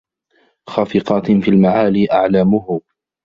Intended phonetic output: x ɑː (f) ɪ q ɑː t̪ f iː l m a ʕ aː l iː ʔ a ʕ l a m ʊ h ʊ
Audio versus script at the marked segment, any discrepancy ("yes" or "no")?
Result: no